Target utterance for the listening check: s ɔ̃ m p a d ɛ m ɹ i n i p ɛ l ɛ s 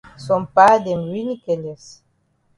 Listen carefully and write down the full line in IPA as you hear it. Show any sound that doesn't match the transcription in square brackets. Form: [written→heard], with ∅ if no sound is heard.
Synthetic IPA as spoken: s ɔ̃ m p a d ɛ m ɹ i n i [p→k] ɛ l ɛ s